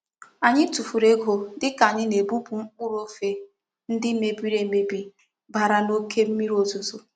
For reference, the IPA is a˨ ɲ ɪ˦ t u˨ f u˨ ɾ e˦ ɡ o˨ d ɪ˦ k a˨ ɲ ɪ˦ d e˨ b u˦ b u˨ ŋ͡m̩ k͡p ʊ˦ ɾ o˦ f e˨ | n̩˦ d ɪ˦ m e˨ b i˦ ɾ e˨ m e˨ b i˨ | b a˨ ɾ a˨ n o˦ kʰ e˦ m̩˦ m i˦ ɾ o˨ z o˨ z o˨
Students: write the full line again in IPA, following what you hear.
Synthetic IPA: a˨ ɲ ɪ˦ t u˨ f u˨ ɾ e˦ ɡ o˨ d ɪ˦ k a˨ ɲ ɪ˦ n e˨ b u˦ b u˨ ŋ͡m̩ k͡p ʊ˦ ɾ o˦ f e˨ | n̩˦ d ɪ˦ m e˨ b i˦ ɾ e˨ m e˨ b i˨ | b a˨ ɾ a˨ n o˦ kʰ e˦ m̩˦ m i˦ ɾ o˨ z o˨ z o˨